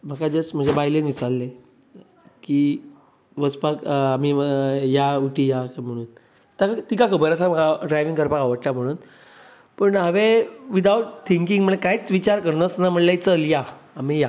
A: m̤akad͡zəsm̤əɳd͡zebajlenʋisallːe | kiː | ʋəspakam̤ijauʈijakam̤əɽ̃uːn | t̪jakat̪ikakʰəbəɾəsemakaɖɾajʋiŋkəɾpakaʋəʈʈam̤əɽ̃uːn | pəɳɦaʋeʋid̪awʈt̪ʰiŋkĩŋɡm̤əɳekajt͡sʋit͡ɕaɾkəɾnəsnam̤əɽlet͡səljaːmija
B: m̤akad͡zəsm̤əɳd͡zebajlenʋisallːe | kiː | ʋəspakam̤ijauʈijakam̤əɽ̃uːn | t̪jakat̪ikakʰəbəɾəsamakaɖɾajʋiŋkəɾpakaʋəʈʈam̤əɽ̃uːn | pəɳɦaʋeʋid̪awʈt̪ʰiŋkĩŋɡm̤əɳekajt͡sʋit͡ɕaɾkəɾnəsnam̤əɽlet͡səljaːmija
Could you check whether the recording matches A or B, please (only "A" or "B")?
B